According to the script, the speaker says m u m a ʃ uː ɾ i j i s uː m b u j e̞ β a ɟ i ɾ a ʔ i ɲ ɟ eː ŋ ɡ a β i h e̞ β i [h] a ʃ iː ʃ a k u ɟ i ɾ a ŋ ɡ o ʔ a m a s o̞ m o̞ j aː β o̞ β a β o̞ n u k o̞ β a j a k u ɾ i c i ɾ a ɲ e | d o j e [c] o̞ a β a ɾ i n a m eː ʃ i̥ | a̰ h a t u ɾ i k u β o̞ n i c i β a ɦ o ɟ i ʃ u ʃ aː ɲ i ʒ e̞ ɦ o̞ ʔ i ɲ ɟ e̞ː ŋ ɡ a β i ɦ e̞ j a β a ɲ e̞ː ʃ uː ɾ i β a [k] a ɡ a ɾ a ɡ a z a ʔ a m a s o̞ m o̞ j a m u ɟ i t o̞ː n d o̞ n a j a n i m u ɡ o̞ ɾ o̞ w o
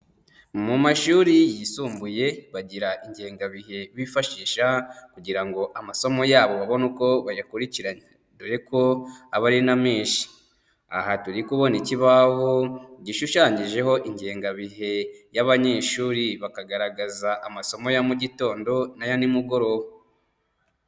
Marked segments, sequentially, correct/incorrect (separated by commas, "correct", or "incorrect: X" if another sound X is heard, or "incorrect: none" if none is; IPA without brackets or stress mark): incorrect: f, incorrect: k, correct